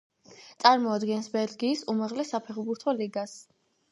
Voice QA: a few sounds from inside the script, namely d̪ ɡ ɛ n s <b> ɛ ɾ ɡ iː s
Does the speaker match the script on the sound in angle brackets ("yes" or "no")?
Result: yes